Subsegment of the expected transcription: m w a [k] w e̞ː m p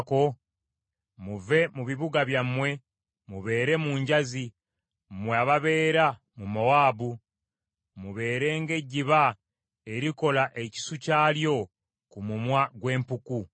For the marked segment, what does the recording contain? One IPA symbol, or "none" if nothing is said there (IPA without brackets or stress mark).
ɡ